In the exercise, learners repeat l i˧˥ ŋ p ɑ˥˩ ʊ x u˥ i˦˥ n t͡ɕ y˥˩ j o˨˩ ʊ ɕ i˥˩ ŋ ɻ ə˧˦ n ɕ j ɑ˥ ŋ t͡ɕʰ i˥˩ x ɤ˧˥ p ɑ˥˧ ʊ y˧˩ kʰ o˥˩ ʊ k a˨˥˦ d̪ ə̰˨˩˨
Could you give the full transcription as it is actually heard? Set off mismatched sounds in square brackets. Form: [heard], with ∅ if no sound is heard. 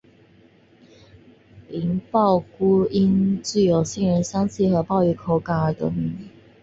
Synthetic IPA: l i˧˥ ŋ p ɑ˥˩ ʊ [k] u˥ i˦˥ n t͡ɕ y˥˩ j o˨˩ ʊ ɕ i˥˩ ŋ ɻ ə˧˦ n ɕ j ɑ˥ ŋ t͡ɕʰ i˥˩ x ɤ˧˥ p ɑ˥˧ ʊ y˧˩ kʰ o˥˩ ʊ k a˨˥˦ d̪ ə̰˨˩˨